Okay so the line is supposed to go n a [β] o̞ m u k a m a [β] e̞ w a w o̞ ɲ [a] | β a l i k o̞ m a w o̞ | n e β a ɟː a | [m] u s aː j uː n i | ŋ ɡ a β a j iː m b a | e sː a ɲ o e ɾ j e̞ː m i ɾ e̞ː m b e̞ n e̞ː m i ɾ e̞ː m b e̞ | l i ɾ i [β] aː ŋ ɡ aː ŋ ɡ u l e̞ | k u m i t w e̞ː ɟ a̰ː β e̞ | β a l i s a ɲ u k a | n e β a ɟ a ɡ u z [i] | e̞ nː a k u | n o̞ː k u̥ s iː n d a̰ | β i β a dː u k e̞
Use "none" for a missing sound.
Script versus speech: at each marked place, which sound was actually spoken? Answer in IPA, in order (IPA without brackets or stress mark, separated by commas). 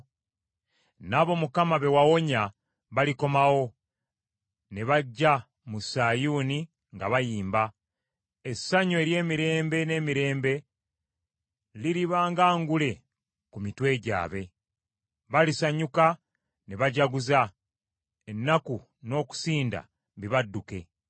β, β, a, m, β, a